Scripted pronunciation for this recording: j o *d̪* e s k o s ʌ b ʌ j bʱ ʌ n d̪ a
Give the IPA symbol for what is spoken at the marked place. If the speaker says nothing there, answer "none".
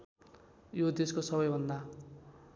d̪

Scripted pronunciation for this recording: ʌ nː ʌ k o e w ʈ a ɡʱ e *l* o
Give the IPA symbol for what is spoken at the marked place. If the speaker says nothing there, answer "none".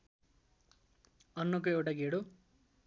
ɽ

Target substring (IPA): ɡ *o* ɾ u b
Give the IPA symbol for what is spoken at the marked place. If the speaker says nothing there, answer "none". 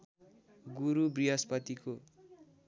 u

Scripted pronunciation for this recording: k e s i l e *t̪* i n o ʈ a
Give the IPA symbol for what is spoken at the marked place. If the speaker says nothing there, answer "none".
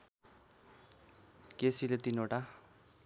t̪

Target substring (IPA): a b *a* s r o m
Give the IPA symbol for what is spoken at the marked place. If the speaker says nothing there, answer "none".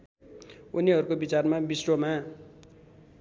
i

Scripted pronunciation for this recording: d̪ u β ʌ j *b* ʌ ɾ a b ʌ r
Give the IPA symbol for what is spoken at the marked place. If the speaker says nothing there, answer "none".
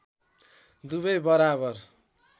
b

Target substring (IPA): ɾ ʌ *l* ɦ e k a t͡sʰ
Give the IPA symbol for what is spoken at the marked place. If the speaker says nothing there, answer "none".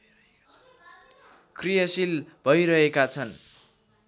none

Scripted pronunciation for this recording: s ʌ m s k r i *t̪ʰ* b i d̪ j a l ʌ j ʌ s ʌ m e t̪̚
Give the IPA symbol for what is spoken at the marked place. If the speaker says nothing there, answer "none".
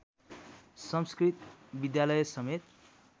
t̪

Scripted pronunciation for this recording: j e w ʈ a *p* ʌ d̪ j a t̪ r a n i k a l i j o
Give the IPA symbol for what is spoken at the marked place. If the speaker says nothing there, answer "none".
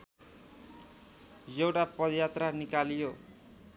p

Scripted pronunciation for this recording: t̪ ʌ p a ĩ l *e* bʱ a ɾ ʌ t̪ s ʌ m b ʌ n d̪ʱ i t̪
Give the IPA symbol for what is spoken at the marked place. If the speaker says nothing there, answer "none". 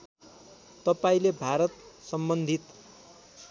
e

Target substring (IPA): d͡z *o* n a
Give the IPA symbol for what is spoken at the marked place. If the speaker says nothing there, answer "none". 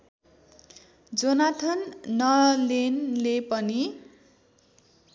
o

